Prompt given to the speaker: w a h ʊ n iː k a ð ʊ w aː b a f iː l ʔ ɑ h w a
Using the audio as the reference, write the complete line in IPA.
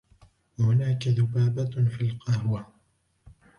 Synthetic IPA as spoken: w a h ʊ n aː k a ð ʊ b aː b a f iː l q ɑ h w a